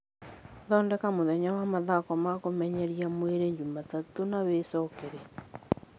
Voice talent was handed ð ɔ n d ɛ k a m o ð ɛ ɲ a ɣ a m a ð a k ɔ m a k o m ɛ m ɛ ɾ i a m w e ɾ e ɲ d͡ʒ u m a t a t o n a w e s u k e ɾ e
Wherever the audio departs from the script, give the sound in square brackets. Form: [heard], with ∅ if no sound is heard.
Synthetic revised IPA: ð ɔ n d ɛ k a m o ð ɛ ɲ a [w] a m a ð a k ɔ m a k o m ɛ [ɲ] ɛ ɾ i a m w e ɾ e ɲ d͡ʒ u m a t a t o n a w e s [ɔ] k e ɾ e